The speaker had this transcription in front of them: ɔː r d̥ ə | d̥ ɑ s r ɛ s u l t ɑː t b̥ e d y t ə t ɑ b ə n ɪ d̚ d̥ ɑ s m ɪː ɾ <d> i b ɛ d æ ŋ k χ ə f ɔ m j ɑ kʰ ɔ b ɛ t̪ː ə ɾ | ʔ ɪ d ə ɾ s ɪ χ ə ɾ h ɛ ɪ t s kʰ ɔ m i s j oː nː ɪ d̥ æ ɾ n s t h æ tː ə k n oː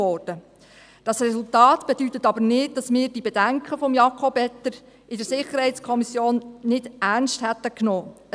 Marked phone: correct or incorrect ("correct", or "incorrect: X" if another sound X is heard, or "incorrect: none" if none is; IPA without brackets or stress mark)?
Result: correct